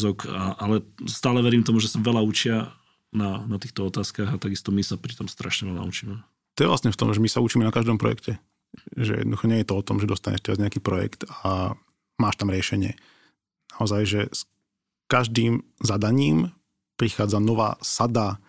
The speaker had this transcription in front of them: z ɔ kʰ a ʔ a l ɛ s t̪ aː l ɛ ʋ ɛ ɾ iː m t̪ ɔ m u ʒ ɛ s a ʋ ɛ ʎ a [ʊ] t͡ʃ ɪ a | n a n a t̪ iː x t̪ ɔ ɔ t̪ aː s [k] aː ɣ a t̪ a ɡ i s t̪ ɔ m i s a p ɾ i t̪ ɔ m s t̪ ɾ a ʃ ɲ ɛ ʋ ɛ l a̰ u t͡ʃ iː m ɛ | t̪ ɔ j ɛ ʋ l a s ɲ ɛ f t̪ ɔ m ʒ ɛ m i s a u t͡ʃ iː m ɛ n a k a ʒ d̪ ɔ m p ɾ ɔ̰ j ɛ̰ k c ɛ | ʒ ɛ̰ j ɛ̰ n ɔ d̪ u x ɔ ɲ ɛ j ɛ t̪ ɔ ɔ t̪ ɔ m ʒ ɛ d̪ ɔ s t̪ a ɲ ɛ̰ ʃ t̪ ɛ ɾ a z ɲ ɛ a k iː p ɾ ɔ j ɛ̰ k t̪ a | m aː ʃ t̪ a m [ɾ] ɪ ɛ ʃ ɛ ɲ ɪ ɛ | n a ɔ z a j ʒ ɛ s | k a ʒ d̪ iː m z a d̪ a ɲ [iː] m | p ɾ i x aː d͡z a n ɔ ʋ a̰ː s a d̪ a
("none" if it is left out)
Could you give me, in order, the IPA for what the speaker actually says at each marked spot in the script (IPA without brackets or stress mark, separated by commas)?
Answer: u, k, ɾ, iː